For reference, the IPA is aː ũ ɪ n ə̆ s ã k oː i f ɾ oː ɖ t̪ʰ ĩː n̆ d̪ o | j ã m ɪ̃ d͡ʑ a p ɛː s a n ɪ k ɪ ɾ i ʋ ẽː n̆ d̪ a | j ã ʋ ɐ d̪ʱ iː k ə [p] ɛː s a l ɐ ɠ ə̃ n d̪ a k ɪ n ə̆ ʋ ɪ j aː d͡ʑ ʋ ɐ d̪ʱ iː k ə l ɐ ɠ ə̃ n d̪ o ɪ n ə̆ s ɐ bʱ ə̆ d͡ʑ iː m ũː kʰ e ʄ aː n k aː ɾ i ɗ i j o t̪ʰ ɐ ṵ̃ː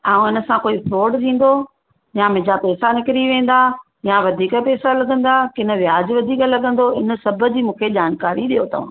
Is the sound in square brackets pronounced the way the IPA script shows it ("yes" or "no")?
yes